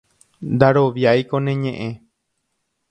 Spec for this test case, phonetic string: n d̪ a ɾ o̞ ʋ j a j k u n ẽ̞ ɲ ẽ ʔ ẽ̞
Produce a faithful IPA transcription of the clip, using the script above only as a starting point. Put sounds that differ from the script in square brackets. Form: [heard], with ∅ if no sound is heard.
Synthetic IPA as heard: n d̪ a ɾ o̞ ʋ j a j k [o] n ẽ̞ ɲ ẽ ʔ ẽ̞